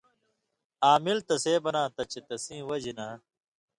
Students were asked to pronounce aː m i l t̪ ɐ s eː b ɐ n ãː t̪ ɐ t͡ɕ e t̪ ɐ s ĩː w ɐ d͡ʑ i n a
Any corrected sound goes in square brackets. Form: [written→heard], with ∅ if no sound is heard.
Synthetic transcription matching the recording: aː m i l t̪ ɐ s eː b ɐ n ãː t̪ ɐ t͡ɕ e t̪ ɐ s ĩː w ɐ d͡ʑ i n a